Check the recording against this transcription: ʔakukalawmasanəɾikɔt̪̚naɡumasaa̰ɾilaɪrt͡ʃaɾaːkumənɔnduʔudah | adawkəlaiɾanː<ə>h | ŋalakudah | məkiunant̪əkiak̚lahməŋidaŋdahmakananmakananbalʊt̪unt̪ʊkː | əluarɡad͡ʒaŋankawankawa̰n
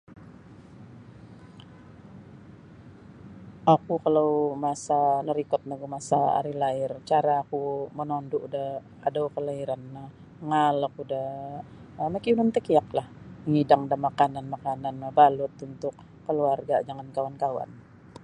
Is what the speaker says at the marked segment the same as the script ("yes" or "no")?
no